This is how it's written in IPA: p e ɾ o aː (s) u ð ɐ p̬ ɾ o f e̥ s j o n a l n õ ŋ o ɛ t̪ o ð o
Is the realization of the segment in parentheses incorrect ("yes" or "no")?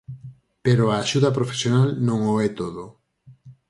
yes